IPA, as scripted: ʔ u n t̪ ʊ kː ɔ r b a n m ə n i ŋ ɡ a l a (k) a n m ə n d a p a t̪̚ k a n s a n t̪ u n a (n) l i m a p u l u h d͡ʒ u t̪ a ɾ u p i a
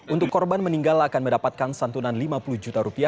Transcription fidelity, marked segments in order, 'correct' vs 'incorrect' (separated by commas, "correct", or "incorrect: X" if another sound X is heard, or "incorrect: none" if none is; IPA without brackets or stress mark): correct, correct